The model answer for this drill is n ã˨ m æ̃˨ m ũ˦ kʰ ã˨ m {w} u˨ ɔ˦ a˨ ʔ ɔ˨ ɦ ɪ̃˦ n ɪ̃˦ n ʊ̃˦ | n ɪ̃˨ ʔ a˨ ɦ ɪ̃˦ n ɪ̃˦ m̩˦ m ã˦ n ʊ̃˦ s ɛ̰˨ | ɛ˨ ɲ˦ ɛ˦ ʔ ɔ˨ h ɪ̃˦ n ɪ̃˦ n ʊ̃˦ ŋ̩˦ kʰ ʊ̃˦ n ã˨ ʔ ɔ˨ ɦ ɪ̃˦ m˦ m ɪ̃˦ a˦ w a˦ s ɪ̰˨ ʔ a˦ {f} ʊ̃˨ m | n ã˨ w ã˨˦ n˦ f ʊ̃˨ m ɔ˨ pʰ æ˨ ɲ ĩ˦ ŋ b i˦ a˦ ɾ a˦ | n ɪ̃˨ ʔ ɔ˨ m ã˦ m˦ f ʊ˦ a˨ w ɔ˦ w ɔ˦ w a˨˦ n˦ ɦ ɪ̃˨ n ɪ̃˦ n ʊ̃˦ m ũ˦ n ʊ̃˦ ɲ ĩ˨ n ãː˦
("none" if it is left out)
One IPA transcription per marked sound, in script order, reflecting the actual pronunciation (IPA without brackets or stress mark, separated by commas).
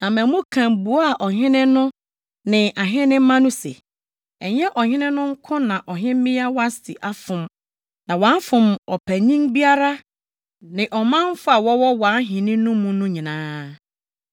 b, f